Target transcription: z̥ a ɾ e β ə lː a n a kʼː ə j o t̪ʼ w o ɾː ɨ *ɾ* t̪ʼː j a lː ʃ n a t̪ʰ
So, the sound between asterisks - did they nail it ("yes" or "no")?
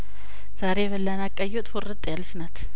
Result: no